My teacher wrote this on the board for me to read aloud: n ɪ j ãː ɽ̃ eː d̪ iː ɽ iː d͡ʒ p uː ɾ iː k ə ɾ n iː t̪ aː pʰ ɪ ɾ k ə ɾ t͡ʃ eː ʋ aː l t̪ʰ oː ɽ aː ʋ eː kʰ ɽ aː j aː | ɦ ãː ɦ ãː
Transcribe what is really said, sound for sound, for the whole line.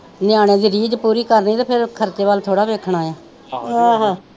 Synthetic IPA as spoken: n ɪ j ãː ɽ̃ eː d̪ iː ɾ iː d͡ʒ p uː ɾ iː k ə ɾ n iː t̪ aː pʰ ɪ ɾ kʰ ə ɾ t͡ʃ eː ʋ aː l t̪ʰ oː ɽ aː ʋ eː kʰ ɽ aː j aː | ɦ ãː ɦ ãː